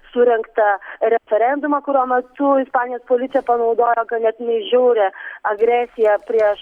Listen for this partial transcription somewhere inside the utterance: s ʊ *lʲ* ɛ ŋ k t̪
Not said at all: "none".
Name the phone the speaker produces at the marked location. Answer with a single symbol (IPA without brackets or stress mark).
ɾʲ